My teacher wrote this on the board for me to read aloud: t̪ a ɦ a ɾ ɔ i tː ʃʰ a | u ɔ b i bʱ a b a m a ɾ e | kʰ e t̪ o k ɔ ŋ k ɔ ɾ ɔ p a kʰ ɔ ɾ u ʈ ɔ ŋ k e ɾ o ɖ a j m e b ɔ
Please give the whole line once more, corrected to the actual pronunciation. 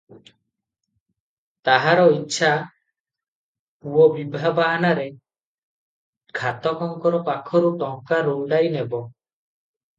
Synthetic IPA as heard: t̪ a ɦ a ɾ ɔ i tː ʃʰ a | u ɔ b i bʱ a b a n a ɾ e | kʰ a t̪ ɔ k ɔ ŋ k ɔ ɾ ɔ p a kʰ ɔ ɾ u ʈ ɔ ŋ k a ɾ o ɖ a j n e b ɔ